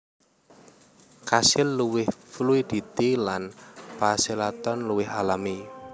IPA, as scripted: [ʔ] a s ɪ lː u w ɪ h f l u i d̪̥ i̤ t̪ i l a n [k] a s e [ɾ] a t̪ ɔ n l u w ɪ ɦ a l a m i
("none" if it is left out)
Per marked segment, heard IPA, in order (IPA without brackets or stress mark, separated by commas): k, p, l